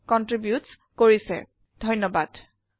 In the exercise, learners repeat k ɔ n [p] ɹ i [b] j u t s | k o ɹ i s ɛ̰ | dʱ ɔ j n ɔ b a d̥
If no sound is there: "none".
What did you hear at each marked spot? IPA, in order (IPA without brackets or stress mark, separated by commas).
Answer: t, b